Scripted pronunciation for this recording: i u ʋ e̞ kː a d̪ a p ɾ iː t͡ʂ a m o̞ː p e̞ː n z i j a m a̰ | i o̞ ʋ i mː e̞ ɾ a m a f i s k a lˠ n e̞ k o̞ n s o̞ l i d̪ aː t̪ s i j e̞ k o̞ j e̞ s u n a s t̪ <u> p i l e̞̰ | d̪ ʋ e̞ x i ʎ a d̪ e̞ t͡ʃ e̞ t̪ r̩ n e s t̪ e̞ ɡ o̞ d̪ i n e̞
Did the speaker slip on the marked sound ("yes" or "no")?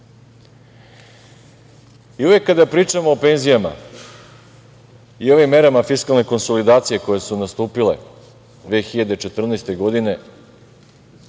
yes